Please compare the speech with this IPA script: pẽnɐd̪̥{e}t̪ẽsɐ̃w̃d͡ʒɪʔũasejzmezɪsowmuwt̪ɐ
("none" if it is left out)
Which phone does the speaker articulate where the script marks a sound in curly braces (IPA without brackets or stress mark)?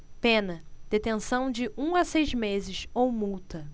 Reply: e